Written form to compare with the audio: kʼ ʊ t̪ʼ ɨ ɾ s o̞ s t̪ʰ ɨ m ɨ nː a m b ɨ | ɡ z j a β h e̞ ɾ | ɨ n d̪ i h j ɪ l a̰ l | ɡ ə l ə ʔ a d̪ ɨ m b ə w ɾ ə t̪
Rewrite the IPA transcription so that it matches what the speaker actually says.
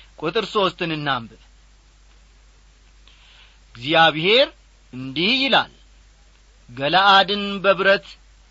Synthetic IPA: kʼ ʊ t̪ʼ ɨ ɾ s o̞ s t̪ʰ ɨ n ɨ nː a m b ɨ | ɡ z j a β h e̞ ɾ | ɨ n d̪ i h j ɪ l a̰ l | ɡ ə l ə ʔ a d̪ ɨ n b ə β ɾ ə t̪